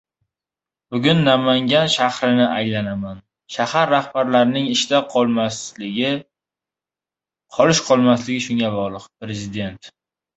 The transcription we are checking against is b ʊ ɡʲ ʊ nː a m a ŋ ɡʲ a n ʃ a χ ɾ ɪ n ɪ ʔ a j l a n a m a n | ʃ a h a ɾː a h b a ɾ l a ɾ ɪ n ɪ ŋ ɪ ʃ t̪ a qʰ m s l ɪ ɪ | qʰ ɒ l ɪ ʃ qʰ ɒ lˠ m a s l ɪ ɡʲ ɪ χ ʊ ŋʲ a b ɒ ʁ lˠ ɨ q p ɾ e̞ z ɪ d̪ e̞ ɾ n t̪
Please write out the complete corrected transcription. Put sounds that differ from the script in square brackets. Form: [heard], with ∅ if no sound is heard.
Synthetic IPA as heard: b ʊ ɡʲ ʊ nː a m a ŋ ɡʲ a n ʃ a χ ɾ ɪ n ɪ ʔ a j l a n a m a n | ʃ a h a ɾː a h b a ɾ l a ɾ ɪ n ɪ ŋ ɪ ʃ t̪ a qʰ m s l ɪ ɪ | qʰ ɒ l ɪ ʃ qʰ ɒ lˠ m a s l ɪ ɡʲ ɪ [ʃ] ʊ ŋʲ a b ɒ ʁ lˠ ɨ q p ɾ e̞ z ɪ d̪ e̞ [∅] n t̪